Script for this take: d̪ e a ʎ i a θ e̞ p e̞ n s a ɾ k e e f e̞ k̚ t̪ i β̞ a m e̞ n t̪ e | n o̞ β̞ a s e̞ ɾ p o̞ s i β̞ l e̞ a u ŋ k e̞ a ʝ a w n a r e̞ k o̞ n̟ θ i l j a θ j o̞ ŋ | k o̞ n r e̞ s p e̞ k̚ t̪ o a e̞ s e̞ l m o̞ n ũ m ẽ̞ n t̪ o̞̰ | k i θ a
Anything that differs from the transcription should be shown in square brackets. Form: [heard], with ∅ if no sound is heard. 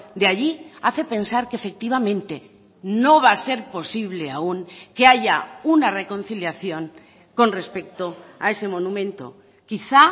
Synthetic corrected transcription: d̪ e a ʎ i a θ e̞ p e̞ n s a ɾ k e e f e̞ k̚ t̪ i β̞ a m [ẽ̞] n t̪ e | n o̞ β̞ a s e̞ ɾ p o̞ s i β̞ l e̞ a u ŋ k e̞ a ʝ a [u] n a r e̞ k o̞ n̟ θ i l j a θ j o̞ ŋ | k o̞ n r e̞ s p e̞ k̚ t̪ o a e̞ s e̞ [∅] m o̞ n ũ m ẽ̞ n t̪ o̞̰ | k i θ a